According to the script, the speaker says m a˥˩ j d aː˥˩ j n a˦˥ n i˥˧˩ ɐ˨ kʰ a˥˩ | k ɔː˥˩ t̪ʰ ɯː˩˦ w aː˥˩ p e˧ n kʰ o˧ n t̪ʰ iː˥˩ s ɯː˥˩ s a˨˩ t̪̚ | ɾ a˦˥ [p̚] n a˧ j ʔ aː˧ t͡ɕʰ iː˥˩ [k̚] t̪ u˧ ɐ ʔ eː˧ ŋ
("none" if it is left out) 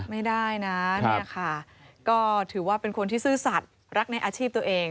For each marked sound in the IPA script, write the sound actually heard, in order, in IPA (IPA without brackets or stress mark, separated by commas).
k̚, p̚